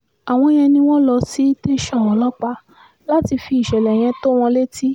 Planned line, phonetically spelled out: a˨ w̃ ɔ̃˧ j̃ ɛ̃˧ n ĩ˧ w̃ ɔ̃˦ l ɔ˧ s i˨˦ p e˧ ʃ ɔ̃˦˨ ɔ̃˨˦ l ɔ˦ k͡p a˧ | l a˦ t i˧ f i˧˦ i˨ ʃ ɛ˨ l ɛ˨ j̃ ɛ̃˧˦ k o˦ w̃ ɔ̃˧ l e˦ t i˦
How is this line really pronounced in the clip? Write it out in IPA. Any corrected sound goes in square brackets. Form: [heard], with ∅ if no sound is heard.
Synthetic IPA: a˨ w̃ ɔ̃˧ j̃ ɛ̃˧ n ĩ˧ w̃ ɔ̃˦ l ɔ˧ s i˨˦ [t] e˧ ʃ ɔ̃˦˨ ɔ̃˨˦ l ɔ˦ k͡p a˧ | l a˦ t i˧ f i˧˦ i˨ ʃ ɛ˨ l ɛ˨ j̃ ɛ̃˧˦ [t] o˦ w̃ ɔ̃˧ l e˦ t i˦